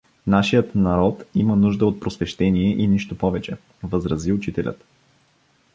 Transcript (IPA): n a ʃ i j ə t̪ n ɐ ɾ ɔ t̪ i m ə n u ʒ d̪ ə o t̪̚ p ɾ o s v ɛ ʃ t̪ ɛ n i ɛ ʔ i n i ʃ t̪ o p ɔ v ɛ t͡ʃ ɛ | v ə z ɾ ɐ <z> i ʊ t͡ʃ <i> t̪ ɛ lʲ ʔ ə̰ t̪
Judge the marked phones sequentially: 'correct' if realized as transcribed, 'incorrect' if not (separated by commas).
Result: correct, correct